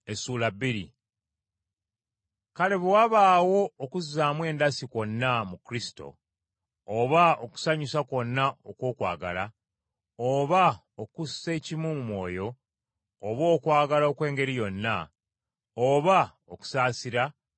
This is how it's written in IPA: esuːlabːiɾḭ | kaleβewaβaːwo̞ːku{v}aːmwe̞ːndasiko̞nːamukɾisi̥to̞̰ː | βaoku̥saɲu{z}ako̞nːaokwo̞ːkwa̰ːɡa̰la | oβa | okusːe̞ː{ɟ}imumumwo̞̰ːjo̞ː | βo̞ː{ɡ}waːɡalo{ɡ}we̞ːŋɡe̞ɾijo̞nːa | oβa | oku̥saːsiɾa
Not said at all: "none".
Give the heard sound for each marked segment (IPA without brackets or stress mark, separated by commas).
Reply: z, s, c, k, k